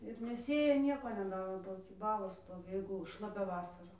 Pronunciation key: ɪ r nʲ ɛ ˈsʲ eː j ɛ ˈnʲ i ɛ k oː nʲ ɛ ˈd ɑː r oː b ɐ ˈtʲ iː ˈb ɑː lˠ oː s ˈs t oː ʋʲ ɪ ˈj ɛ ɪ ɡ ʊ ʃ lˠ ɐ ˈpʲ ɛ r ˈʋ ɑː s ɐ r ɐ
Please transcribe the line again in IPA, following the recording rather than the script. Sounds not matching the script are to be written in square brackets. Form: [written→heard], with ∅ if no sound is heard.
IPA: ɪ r nʲ ɛ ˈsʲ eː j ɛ ˈnʲ i ɛ k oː nʲ ɛ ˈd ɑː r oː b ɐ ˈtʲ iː ˈb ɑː lˠ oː s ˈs t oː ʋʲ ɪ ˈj ɛ ɪ ɡ ʊ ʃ lˠ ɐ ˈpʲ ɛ [r→∅] ˈʋ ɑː s ɐ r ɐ